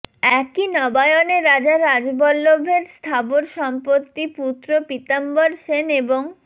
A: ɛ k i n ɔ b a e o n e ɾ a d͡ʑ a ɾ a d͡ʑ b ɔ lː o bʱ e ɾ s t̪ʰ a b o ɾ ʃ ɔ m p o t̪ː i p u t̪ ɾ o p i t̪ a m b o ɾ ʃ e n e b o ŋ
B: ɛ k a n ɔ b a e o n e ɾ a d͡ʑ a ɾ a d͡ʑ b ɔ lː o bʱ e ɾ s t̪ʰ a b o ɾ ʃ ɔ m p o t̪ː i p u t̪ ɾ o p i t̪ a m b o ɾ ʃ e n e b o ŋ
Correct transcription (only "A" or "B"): A